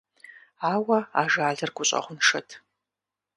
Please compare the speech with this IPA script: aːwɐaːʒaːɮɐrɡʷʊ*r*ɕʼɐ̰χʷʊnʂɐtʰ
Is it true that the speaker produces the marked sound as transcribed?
no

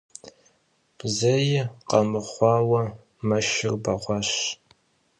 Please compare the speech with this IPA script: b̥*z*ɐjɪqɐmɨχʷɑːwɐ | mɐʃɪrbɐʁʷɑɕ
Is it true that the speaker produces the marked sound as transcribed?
yes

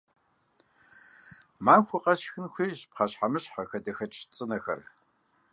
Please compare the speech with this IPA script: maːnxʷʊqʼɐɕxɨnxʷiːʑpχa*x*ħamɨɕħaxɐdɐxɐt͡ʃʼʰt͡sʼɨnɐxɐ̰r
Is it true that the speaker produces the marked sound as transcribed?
no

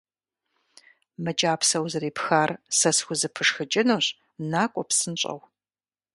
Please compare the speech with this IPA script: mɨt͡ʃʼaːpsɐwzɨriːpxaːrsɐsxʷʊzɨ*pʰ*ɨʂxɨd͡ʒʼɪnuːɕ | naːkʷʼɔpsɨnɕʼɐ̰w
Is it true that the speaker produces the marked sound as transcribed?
yes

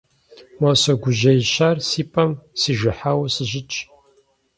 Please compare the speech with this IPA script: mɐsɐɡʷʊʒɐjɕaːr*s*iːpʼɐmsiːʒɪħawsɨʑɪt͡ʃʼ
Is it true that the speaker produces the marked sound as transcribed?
yes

